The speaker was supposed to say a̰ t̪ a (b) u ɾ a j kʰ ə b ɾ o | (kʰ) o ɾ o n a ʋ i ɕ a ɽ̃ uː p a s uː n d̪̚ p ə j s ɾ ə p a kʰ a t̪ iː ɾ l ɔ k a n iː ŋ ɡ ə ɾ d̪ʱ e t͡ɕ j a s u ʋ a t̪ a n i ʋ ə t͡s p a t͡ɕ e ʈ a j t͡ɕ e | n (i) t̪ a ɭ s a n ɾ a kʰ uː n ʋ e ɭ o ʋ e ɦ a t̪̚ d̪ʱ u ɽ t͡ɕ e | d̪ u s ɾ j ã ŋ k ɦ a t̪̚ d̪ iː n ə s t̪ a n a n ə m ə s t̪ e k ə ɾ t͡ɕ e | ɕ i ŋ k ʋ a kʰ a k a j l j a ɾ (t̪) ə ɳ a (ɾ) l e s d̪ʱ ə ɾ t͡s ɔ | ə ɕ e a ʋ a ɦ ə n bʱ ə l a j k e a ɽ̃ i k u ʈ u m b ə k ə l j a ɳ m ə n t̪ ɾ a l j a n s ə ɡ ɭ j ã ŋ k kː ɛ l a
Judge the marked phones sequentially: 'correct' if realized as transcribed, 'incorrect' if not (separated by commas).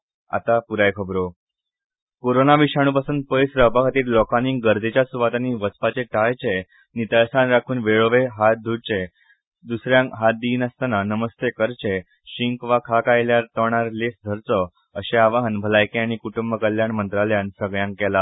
incorrect, incorrect, correct, correct, correct